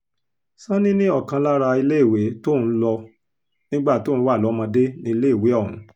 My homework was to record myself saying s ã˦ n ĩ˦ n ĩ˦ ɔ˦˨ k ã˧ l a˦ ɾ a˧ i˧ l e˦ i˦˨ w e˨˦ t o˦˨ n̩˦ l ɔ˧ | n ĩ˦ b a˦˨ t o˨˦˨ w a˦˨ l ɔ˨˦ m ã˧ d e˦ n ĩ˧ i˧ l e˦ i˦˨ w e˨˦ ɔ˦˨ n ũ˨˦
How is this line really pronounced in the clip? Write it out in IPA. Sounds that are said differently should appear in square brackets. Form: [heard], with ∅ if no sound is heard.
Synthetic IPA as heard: s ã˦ n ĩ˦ n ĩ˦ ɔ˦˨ k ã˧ l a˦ ɾ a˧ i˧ l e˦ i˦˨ w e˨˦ t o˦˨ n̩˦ l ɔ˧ | n ĩ˦ [ɡ͡b] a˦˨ t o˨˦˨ w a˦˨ l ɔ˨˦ m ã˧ d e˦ n ĩ˧ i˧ l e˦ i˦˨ w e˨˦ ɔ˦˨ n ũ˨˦